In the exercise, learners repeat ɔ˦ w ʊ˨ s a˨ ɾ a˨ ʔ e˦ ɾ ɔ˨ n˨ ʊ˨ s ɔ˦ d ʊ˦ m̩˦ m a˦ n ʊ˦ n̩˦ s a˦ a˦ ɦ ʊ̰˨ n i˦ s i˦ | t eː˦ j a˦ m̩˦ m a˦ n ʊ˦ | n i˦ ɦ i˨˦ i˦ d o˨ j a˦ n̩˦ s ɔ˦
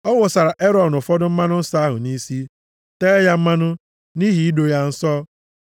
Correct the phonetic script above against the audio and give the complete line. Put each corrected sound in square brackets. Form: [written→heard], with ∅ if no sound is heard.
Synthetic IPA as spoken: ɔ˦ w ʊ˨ s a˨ ɾ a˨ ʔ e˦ ɾ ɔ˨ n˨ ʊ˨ [s→f] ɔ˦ d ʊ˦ m̩˦ m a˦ n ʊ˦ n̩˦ s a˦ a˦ ɦ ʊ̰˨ n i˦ s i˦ | t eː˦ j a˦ m̩˦ m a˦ n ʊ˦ | n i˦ ɦ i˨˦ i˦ d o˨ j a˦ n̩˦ s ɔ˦